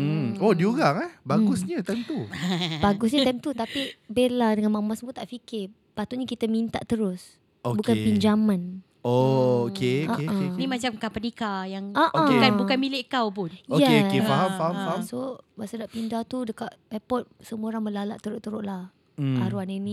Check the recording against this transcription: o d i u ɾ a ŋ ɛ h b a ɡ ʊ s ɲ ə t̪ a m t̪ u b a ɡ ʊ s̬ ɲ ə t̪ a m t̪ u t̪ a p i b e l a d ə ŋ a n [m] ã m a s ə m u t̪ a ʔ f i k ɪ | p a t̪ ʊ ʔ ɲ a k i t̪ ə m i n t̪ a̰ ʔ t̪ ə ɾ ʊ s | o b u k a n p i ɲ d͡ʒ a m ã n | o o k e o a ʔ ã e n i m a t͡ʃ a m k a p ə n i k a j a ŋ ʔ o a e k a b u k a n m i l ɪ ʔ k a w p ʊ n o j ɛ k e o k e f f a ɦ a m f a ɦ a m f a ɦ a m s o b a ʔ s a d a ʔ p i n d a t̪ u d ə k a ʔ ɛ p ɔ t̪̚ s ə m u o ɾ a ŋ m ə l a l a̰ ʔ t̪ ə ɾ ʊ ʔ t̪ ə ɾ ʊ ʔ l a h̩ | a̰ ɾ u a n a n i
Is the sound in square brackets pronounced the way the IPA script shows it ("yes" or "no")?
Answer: yes